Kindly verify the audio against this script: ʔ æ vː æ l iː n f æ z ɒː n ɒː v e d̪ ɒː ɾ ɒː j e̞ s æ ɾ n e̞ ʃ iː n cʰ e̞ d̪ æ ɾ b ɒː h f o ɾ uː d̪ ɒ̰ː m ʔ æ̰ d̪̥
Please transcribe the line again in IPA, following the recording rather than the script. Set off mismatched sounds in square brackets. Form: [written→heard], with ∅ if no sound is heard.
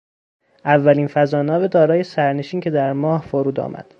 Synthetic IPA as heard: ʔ æ vː æ l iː n f æ z ɒː n ɒː v e d̪ ɒː ɾ ɒː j e̞ s æ ɾ n e̞ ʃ iː n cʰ e̞ d̪ æ ɾ [b→m] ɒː h f o ɾ uː d̪ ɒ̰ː m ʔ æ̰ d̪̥